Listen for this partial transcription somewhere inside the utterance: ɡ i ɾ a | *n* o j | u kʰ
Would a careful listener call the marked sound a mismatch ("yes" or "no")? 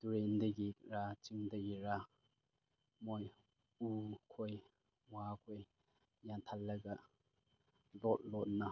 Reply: yes